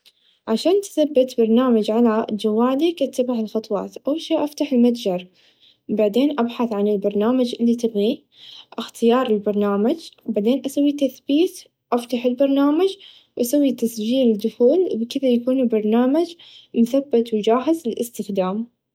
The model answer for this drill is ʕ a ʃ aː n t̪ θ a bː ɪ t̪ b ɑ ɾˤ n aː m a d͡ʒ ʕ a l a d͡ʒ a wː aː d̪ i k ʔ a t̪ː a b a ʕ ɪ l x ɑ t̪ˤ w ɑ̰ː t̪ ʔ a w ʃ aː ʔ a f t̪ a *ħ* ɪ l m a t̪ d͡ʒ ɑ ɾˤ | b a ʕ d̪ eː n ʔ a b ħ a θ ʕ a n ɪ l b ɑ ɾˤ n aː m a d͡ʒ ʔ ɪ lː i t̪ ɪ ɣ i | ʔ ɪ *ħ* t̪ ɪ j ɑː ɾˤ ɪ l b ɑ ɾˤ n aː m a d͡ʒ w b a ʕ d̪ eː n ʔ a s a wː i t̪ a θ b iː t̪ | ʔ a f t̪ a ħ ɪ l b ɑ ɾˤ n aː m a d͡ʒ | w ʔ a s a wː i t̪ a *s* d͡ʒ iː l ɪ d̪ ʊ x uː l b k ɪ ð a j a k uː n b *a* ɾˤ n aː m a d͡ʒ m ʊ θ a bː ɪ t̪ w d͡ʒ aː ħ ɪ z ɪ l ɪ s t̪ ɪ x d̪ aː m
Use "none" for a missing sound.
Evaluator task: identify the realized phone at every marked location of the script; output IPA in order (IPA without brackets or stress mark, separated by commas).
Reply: ħ, x, s, ɑ